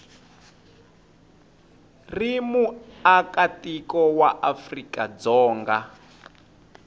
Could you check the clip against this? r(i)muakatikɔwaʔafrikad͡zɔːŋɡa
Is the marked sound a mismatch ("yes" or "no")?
no